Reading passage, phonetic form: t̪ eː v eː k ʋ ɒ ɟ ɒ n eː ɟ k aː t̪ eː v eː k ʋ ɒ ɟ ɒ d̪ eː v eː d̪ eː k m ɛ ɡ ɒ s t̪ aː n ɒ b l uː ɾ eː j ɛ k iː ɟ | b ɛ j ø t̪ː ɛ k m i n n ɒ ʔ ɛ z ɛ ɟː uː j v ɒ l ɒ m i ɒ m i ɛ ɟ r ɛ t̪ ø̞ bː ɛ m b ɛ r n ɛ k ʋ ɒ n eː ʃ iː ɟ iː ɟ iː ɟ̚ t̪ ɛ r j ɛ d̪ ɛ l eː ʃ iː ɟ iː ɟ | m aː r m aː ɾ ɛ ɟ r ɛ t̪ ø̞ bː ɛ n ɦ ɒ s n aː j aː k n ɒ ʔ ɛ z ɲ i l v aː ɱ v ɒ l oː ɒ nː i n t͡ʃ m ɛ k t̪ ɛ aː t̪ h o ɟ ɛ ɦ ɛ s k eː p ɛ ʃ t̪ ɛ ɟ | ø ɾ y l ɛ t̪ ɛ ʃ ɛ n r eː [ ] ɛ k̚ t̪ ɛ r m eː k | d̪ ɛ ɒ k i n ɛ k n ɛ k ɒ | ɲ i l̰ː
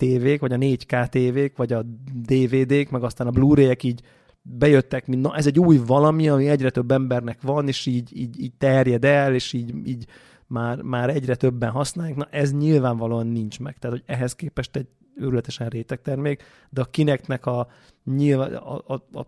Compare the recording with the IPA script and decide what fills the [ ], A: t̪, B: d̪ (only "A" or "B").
A